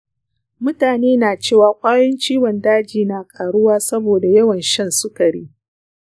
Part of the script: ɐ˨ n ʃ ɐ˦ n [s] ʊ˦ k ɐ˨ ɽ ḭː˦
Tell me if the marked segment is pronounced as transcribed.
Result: yes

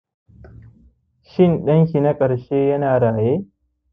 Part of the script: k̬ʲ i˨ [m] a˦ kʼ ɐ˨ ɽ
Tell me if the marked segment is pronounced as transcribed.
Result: no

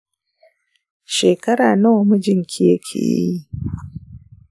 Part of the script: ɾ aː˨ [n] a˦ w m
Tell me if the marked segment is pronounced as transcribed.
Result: yes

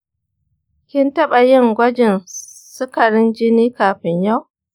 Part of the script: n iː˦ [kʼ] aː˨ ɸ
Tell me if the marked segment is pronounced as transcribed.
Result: no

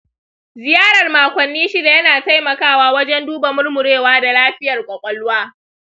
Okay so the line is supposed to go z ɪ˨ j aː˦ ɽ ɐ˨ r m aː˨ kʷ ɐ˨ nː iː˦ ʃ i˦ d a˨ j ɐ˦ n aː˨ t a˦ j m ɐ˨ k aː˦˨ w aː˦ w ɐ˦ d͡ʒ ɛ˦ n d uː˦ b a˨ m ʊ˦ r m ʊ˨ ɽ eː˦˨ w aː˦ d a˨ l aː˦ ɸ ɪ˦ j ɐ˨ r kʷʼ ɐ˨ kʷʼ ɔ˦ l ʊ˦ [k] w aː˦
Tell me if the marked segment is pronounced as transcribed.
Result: no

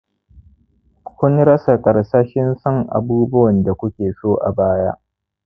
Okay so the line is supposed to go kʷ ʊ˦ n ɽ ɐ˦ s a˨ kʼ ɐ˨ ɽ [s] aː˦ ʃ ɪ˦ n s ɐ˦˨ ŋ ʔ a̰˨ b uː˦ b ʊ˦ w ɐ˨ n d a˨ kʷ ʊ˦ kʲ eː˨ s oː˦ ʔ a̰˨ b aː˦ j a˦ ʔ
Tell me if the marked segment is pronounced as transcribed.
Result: yes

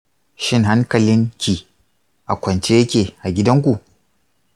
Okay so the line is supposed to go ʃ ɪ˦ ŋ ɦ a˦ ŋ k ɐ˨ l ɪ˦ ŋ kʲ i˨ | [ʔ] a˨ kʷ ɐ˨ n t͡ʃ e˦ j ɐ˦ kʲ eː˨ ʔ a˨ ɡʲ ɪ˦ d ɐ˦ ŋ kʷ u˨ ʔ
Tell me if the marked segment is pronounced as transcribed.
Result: yes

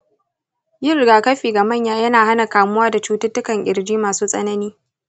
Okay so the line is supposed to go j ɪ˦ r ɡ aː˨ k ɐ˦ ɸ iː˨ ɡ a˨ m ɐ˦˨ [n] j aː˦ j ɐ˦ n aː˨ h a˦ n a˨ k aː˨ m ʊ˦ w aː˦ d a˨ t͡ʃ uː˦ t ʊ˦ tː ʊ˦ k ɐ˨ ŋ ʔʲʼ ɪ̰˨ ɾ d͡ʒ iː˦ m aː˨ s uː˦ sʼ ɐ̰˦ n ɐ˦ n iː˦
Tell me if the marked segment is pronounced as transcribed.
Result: no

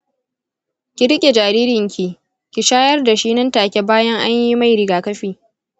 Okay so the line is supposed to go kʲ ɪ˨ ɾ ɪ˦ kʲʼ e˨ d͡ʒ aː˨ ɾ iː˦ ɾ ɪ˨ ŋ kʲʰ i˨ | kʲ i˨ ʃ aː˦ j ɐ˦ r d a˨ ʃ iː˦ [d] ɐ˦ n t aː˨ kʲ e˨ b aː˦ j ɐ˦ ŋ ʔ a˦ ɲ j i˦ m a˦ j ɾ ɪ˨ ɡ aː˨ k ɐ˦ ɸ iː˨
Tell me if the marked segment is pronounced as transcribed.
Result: no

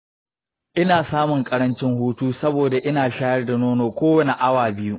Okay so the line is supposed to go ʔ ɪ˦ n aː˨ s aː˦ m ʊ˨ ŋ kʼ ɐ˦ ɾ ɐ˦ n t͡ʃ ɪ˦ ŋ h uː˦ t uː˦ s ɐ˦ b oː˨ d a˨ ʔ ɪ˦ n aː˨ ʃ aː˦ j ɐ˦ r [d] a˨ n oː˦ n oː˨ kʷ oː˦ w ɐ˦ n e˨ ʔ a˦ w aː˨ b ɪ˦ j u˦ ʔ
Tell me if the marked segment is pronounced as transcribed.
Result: yes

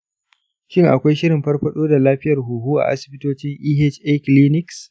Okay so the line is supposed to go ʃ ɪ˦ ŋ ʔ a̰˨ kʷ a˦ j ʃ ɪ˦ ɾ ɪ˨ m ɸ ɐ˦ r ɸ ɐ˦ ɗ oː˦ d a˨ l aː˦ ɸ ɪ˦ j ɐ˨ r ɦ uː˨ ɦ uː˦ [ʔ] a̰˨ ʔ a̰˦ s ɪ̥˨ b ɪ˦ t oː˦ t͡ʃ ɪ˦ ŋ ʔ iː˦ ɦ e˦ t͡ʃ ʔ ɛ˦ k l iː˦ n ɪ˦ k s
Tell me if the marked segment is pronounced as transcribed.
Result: yes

